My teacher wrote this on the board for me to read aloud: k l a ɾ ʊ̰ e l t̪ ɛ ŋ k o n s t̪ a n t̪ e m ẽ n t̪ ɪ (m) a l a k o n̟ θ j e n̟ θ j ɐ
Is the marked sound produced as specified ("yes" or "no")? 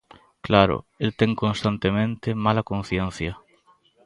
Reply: yes